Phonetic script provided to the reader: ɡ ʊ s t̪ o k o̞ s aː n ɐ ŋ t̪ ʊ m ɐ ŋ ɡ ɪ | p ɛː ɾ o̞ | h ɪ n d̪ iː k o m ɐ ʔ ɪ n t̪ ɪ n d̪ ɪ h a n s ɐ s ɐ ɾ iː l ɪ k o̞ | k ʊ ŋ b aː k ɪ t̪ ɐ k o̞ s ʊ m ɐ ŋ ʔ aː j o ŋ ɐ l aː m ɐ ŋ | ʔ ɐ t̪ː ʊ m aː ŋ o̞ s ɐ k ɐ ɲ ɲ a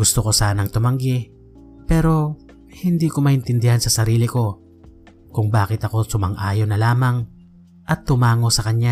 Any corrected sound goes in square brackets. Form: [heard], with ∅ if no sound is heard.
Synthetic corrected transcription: ɡ ʊ s t̪ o k o̞ s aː n ɐ ŋ t̪ ʊ m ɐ ŋ ɡ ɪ | p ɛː ɾ o̞ | h ɪ n d̪ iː k o m ɐ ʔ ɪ n t̪ ɪ n d̪ ɪ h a n s ɐ s ɐ ɾ iː l ɪ k o̞ | k ʊ ŋ b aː k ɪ t̪ ɐ k o̞ s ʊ m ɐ ŋ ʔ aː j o [n] ɐ l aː m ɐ ŋ | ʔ ɐ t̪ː ʊ m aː ŋ o̞ s ɐ k ɐ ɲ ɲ a